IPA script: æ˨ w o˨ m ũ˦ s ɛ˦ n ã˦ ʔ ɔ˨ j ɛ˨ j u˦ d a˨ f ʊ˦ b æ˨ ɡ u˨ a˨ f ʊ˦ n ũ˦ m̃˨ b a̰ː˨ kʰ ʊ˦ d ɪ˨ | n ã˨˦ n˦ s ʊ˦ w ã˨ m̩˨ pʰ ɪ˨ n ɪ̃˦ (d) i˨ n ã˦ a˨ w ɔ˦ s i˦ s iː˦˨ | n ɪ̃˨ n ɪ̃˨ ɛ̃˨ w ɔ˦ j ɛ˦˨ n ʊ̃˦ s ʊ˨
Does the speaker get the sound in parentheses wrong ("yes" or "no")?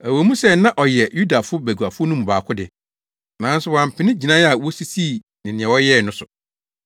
yes